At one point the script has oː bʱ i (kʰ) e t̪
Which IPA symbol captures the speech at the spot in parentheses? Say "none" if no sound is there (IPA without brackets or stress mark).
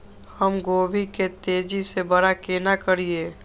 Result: k